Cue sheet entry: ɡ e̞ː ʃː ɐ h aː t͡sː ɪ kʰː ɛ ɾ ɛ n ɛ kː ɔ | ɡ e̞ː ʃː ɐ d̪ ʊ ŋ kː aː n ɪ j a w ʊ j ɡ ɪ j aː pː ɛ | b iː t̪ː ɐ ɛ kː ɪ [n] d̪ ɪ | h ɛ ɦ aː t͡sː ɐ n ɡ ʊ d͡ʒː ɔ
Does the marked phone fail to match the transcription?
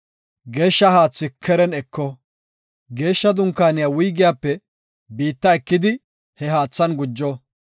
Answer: yes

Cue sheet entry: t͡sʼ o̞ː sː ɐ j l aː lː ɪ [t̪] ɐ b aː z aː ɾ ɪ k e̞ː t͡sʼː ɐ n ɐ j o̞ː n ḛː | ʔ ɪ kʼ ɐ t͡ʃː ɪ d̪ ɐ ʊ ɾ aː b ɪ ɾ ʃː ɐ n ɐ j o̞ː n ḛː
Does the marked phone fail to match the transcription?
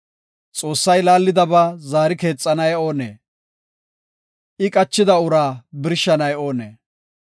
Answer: yes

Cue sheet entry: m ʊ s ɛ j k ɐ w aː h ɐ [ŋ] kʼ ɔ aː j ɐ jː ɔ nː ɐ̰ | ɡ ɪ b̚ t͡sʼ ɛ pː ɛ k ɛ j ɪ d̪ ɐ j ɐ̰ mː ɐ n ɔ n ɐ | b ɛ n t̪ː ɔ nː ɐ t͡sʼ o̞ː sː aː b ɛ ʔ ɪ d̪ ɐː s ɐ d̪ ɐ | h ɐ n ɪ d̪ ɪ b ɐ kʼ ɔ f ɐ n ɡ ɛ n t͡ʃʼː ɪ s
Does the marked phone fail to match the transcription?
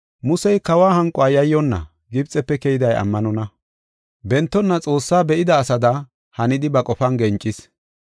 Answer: no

